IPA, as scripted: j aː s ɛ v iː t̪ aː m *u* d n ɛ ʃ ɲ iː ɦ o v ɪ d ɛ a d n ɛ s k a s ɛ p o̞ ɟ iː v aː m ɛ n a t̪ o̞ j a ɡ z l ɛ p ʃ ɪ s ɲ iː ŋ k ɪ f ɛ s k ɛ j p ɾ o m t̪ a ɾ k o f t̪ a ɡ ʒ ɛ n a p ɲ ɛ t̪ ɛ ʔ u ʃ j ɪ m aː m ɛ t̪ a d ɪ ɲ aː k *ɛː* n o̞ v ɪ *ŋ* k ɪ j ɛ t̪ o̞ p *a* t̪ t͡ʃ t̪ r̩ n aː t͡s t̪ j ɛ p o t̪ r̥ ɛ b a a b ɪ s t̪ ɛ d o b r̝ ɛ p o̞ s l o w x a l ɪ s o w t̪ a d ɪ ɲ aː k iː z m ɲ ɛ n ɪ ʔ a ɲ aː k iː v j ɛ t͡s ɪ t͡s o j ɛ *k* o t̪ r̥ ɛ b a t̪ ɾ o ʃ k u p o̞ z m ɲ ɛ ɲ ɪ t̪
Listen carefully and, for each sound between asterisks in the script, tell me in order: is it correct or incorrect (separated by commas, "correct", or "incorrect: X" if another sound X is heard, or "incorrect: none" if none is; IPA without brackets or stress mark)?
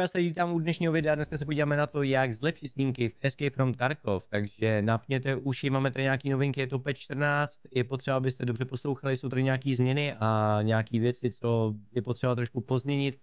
correct, incorrect: iː, correct, incorrect: ɛ, incorrect: p